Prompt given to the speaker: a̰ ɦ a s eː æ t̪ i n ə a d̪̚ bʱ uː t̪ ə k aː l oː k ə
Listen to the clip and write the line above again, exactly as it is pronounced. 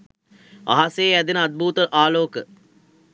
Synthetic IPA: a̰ ɦ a s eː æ d̪ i n ə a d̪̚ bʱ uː t̪ ə ʔ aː l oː k ə